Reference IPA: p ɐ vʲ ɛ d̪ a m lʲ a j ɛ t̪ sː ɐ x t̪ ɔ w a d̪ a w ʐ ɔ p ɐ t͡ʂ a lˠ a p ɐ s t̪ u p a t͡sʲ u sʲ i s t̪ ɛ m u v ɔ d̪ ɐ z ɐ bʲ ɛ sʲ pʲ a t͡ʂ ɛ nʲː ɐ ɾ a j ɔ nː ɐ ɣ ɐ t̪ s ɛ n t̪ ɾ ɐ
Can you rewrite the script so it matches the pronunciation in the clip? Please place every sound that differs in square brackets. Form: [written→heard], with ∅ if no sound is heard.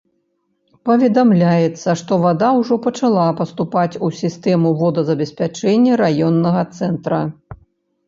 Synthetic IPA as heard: p ɐ vʲ ɛ d̪ a m lʲ a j ɛ t̪ sː ɐ [x→ʂ] t̪ ɔ [w→v] a d̪ a w ʐ ɔ p ɐ t͡ʂ a lˠ a p ɐ s t̪ u p a t͡sʲ u sʲ i s t̪ ɛ m u v ɔ d̪ ɐ z ɐ bʲ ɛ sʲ pʲ a t͡ʂ ɛ nʲː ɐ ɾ a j ɔ nː ɐ ɣ ɐ t̪ s ɛ n t̪ ɾ ɐ